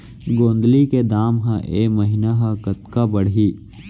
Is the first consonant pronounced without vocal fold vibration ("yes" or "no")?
no